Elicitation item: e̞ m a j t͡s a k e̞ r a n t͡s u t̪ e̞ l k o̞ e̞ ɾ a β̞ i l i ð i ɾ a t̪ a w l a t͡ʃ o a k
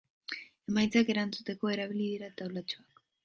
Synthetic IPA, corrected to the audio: e̞ m a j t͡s a k e̞ ɾ a n t͡s u t̪ e̞ k o̞ e̞ ɾ a β̞ i l i ð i ɾ a t̪ a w l a t͡ʃ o a k